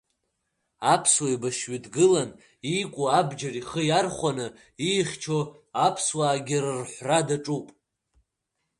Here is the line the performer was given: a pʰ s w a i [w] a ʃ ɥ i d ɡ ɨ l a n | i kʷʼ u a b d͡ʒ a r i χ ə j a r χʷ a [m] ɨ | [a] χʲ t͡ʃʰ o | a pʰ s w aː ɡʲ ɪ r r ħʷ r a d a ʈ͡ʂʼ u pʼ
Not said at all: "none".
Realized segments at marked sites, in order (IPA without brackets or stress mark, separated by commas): b, n, i